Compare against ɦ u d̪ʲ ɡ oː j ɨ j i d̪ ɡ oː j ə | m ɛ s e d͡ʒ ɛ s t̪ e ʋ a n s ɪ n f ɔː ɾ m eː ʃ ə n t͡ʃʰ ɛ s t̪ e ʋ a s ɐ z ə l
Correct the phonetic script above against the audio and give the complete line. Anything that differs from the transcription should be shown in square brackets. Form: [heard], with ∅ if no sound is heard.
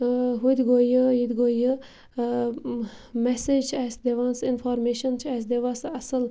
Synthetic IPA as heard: ɦ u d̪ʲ ɡ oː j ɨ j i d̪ ɡ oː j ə | m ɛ s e d͡ʒ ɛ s [d̪] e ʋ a n s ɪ n f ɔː ɾ m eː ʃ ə n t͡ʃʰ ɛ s [d̪] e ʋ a s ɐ [s] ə l